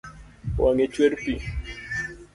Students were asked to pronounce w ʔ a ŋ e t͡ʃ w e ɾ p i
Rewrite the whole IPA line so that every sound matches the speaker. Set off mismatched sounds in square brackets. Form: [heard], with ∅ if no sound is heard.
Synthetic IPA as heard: w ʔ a ŋ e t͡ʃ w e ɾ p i